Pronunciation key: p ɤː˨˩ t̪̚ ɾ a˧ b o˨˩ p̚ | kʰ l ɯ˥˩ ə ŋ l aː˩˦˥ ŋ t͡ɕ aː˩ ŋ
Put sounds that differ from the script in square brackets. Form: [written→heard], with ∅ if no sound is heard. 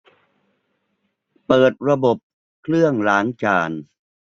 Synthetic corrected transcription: p ɤː˨˩ t̪̚ ɾ a˧ b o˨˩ p̚ | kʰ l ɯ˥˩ ə ŋ l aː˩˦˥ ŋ t͡ɕ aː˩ [ŋ→n]